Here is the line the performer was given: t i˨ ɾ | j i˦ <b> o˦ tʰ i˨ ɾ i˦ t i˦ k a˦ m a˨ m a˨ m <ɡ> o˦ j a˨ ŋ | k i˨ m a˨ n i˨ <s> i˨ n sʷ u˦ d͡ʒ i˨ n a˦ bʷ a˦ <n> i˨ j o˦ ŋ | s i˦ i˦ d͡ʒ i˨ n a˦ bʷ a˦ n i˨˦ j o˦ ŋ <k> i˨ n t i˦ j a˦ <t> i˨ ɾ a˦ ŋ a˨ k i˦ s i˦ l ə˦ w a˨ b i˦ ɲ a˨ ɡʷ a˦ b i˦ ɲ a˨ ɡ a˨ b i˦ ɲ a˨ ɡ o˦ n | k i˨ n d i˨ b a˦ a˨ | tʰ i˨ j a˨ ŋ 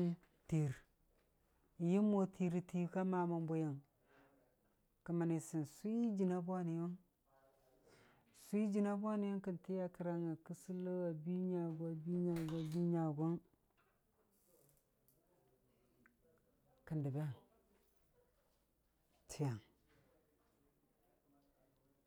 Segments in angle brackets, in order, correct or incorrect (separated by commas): incorrect, incorrect, correct, correct, correct, incorrect